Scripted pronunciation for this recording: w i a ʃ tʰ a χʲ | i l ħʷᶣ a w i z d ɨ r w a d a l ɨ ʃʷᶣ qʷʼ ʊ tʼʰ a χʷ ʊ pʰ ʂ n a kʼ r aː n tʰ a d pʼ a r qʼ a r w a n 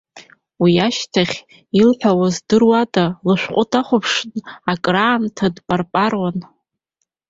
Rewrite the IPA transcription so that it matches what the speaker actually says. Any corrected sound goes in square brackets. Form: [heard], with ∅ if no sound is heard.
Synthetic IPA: w i a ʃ tʰ a χʲ | i l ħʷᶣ a w [a] z d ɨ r w a d a l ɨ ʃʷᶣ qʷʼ ʊ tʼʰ a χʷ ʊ pʰ ʂ n a kʼ r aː n tʰ a d pʼ a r [pʼ] a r w a n